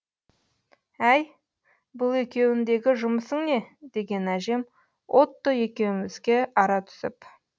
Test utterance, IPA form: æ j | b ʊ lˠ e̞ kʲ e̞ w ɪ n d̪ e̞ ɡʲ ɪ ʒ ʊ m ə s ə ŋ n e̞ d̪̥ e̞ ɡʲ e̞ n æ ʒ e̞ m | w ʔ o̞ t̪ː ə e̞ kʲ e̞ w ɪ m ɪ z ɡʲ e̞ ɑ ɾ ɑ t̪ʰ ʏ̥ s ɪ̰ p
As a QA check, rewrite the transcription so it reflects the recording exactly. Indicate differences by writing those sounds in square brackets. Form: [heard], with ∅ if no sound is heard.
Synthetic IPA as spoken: æ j | b ʊ lˠ e̞ kʲ e̞ w ɪ n d̪ e̞ ɡʲ ɪ ʒ ʊ m ə s ə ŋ n e̞ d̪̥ e̞ ɡʲ e̞ n æ ʒ e̞ m | w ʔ o̞ t̪ː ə e̞ kʲ e̞ w ɪ m ɪ z ɡʲ e̞ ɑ ɾ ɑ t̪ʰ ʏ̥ s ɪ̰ p